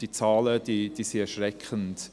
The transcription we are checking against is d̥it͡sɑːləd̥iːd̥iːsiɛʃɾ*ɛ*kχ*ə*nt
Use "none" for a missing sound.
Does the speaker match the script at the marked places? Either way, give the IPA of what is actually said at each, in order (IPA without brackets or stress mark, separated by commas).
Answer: ɛ, ə